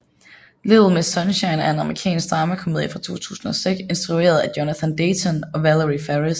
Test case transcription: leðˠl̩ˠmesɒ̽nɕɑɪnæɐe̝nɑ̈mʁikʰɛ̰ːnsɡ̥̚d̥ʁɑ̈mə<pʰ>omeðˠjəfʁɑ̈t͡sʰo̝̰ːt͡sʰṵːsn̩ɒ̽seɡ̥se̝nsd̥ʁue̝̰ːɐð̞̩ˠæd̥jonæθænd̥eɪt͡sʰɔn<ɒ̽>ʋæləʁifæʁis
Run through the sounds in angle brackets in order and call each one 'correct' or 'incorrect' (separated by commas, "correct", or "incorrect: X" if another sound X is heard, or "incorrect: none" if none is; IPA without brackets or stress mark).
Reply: incorrect: kʰ, correct